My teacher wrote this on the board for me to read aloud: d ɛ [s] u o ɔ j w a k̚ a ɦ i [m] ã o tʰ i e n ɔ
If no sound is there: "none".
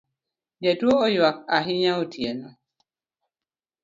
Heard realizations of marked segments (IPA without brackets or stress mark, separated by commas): t, ɲ